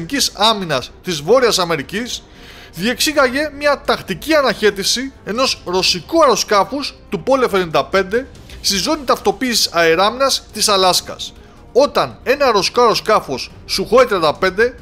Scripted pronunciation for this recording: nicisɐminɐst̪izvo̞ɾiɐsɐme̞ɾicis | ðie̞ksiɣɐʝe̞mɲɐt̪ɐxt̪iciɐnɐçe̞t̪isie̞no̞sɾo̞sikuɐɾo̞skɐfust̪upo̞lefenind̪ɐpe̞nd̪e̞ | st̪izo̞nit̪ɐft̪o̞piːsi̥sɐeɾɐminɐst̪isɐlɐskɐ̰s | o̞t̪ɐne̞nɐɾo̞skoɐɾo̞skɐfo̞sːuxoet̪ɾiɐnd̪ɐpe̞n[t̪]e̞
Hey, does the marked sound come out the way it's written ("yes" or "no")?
no